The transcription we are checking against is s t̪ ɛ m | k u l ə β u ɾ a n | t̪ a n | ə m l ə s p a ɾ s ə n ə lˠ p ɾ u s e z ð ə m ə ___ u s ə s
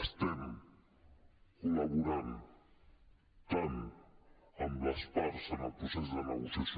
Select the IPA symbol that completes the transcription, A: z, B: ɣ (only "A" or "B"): B